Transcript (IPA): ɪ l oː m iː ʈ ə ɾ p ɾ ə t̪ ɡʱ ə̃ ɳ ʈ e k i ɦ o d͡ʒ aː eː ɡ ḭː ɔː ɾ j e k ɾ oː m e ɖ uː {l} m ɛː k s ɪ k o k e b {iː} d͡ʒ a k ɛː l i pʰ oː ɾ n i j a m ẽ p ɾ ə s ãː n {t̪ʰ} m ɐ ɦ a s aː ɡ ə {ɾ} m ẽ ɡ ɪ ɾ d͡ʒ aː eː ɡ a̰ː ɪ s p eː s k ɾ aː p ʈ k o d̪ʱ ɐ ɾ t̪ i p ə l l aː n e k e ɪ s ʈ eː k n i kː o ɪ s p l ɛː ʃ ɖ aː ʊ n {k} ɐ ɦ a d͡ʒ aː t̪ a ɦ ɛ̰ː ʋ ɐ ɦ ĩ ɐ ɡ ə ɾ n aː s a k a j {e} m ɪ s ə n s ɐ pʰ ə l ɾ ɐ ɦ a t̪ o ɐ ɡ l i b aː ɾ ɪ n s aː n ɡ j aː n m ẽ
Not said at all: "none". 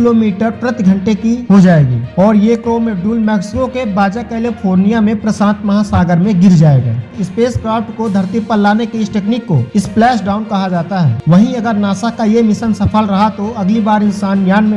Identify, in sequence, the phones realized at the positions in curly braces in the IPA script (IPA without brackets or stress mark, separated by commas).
l, aː, t̪, ɾ, k, e